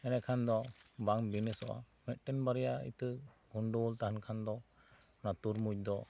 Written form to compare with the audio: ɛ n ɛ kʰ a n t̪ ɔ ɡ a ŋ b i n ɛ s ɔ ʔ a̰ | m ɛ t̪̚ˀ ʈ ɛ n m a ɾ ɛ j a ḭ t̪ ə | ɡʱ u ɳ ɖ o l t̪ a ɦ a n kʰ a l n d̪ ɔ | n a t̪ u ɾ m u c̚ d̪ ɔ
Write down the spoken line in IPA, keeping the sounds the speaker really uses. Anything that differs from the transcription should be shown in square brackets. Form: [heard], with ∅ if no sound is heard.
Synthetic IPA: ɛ n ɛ kʰ a n [d̪] ɔ [b] a ŋ b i n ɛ s ɔ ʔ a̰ | m ɛ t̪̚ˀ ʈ ɛ n [b] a ɾ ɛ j a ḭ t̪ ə | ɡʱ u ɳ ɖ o l t̪ a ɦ a n kʰ a [∅] n d̪ ɔ | n a t̪ u ɾ m u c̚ d̪ ɔ